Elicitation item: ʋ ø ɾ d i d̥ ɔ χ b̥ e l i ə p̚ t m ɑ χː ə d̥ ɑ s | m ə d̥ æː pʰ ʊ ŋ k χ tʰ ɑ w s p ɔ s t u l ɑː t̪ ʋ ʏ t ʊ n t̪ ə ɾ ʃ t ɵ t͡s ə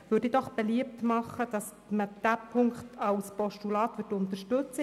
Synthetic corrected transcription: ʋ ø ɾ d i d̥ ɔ χ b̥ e l i ə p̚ t m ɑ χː ə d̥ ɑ s | m ə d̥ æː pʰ ʊ ŋ k χ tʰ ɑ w s p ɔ ʃ t u l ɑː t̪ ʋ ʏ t ʊ n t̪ ə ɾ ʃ t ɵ t͡s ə